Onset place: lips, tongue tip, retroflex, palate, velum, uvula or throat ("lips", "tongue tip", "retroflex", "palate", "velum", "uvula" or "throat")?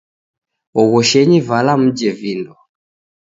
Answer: velum